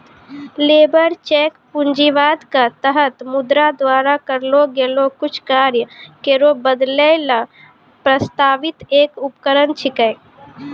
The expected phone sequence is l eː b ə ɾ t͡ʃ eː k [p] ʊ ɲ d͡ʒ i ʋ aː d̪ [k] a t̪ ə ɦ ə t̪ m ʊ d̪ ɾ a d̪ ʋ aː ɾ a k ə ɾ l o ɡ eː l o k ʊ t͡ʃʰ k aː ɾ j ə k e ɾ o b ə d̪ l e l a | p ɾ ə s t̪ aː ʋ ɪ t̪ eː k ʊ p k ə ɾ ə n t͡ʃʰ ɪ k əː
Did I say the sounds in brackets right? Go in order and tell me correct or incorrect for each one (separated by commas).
correct, correct